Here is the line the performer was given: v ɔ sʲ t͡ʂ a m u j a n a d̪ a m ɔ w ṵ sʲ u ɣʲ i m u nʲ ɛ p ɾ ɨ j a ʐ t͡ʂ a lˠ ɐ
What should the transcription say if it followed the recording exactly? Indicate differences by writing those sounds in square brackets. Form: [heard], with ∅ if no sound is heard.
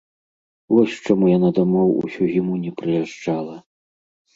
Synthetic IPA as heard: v ɔ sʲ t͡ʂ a m u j a n a d̪ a m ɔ w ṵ sʲ u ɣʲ i m u nʲ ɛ p ɾ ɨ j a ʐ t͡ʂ a lˠ ɐ